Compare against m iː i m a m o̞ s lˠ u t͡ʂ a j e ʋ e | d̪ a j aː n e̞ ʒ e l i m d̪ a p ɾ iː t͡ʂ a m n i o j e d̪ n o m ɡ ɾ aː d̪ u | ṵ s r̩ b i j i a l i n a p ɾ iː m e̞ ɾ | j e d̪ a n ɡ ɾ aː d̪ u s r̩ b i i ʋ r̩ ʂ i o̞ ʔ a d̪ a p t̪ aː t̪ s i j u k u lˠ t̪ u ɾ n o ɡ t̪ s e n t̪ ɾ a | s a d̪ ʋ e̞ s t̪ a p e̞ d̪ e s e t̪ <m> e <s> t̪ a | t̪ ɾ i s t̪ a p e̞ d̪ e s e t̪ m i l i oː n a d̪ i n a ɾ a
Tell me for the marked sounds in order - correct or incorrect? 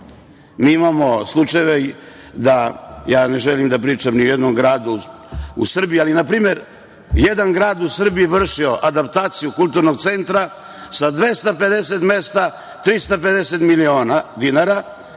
correct, correct

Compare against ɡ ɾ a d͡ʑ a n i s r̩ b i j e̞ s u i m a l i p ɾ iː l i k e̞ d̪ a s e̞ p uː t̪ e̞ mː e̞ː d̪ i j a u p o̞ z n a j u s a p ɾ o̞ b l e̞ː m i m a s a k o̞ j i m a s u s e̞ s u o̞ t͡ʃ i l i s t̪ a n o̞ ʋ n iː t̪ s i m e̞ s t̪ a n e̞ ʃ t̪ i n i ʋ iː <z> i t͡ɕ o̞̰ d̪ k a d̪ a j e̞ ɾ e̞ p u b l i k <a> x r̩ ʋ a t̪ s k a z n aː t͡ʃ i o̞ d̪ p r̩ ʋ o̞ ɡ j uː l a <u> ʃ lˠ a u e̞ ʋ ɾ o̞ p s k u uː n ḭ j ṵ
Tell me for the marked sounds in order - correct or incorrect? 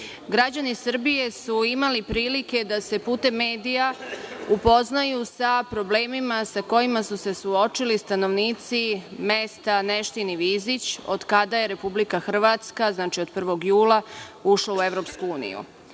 correct, correct, correct

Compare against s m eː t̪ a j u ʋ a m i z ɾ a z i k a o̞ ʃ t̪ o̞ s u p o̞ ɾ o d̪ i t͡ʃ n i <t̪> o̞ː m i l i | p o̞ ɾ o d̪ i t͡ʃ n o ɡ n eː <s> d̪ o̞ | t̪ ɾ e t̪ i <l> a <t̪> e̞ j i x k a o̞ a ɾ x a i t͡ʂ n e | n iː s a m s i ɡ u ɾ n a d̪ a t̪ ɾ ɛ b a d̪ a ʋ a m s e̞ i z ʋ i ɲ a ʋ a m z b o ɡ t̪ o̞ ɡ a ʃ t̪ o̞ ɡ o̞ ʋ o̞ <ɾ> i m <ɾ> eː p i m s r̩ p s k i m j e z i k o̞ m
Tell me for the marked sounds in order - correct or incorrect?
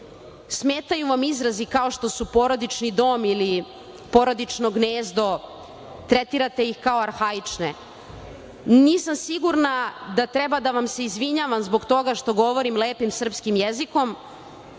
incorrect: d̪, incorrect: z, incorrect: ɾ, correct, correct, incorrect: l

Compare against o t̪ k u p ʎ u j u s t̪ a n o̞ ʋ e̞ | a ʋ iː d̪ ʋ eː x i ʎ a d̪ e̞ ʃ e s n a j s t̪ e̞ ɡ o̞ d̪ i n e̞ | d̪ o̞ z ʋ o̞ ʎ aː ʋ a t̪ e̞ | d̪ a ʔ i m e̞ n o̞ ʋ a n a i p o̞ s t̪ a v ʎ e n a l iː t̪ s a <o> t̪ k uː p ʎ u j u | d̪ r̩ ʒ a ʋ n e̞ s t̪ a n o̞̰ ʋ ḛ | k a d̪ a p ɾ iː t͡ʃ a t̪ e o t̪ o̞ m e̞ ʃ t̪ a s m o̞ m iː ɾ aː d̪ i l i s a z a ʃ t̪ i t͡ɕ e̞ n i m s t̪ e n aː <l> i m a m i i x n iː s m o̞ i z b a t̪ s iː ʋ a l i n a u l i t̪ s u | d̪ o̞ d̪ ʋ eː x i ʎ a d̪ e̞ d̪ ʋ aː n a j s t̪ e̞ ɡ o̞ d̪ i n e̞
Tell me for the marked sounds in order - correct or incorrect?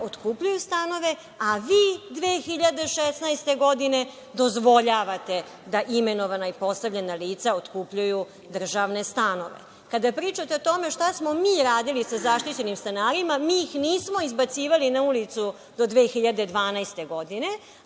correct, incorrect: ɾ

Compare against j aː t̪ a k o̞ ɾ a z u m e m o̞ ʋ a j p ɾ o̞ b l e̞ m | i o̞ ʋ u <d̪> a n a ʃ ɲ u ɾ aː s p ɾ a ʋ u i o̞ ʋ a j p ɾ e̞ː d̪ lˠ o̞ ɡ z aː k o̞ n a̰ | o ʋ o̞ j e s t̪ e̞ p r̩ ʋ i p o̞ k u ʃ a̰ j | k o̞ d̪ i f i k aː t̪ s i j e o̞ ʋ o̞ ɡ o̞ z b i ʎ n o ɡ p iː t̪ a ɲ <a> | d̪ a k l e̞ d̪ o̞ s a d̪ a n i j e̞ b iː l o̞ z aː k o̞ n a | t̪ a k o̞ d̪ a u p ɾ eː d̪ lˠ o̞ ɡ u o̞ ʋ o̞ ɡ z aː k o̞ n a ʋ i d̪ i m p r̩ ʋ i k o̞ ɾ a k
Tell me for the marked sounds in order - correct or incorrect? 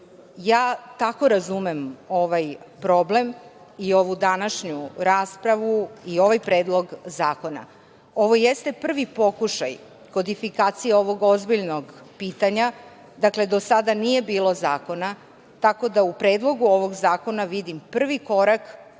correct, correct

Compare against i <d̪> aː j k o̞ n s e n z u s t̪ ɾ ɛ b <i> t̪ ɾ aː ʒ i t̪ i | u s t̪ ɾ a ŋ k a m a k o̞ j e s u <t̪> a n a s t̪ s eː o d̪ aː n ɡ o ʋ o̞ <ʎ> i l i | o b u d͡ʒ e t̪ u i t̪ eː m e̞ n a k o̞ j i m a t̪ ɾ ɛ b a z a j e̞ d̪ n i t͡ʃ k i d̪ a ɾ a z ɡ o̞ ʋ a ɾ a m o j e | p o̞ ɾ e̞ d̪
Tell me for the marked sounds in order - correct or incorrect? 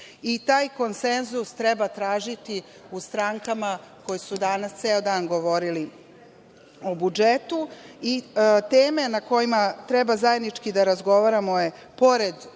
incorrect: t̪, incorrect: a, incorrect: d̪, incorrect: ɾ

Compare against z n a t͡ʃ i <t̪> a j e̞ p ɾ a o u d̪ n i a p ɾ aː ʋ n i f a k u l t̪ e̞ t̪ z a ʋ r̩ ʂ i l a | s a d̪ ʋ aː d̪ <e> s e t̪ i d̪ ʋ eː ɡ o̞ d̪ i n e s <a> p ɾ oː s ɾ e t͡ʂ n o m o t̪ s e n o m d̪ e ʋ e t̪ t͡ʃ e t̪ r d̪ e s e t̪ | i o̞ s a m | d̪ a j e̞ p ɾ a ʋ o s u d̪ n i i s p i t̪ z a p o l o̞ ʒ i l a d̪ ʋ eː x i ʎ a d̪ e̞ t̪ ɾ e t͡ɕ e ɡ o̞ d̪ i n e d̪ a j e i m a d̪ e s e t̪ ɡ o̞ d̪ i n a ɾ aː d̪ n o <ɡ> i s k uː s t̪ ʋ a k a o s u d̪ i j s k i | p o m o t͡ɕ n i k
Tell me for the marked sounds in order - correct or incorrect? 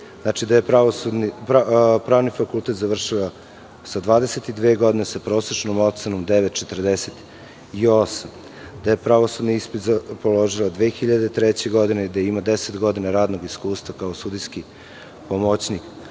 incorrect: d̪, correct, correct, correct

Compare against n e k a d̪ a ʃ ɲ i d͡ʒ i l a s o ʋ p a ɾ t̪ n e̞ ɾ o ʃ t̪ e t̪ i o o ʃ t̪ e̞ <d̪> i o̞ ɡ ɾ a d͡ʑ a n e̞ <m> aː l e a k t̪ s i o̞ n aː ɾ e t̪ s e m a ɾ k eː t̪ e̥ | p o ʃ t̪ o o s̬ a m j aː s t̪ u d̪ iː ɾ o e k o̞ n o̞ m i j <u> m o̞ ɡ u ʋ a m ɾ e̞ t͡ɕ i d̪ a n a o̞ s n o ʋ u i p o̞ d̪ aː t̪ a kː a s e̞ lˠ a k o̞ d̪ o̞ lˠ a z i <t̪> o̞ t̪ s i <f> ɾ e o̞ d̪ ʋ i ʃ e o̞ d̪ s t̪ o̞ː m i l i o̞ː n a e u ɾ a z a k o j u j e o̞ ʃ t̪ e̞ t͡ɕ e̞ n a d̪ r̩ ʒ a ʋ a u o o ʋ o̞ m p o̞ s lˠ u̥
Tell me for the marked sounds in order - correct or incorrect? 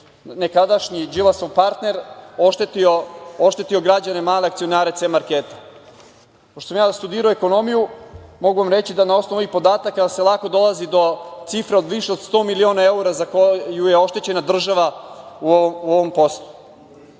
incorrect: t̪, correct, correct, incorrect: d̪, correct

